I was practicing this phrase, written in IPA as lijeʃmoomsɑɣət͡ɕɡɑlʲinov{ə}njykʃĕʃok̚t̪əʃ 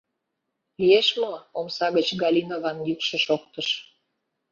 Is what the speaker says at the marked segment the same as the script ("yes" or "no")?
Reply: no